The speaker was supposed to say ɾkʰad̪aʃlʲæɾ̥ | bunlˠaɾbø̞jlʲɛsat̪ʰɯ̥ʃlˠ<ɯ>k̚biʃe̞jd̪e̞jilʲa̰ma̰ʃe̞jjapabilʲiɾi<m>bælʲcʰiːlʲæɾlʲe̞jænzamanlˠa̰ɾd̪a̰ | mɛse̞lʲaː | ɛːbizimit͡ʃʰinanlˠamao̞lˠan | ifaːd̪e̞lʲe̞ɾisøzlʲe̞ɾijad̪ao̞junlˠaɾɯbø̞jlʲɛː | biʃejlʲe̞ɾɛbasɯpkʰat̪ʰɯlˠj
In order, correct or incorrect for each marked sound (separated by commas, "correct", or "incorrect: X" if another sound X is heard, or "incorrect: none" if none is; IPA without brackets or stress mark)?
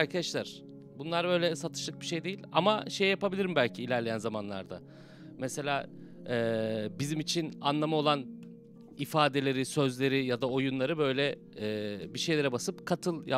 correct, correct